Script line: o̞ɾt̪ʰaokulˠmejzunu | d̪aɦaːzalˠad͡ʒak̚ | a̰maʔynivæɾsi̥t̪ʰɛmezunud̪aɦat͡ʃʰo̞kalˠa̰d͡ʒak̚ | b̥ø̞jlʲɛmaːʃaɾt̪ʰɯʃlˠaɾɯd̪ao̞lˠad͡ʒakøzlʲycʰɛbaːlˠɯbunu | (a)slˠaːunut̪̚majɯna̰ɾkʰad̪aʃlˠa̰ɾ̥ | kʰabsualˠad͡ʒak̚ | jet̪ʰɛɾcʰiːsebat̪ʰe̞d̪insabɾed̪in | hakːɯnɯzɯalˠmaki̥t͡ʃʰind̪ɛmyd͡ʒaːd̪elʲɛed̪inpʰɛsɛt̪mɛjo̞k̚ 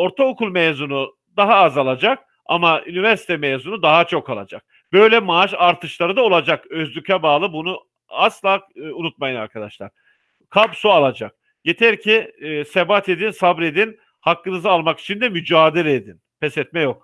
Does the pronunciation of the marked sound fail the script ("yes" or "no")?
no